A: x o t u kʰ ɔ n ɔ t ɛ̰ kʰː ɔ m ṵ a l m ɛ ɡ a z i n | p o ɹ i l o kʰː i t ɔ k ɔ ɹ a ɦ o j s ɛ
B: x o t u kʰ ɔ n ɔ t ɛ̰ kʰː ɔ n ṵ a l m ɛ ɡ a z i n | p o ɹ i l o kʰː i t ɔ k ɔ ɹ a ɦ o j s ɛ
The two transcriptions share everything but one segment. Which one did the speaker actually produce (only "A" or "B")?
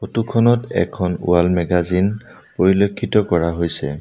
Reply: B